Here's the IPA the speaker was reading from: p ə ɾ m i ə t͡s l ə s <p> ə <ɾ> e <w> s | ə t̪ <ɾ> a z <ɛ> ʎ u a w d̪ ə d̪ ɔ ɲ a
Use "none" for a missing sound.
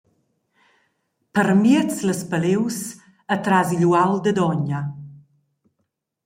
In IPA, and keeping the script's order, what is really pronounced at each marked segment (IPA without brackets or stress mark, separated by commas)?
p, l, w, ɾ, i